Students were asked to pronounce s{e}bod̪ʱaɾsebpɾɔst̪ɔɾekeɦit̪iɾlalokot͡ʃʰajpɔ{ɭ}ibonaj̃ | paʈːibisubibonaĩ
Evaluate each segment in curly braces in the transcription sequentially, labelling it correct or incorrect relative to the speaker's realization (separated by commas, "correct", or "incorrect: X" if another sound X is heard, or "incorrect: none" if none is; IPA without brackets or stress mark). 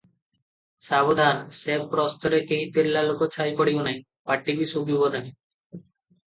incorrect: a, incorrect: ɽ